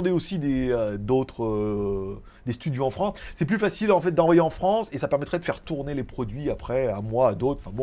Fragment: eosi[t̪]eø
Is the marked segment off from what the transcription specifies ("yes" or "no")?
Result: yes